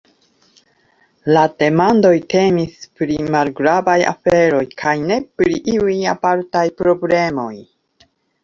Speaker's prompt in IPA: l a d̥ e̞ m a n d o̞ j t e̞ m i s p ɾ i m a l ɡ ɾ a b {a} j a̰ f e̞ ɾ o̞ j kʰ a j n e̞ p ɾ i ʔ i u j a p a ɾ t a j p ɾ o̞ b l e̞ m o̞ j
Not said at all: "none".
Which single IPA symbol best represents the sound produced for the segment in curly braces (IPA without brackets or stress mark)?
a